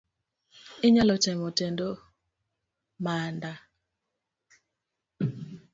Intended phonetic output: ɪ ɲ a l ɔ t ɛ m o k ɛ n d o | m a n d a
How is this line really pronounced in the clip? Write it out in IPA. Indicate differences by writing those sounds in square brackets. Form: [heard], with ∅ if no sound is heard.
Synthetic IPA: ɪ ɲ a l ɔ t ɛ m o [t] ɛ n d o | m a n d a